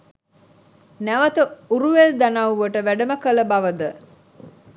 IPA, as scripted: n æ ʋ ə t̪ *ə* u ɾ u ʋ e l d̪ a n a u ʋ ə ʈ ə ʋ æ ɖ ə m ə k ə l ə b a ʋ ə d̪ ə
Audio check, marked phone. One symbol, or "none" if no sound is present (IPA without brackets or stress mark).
ə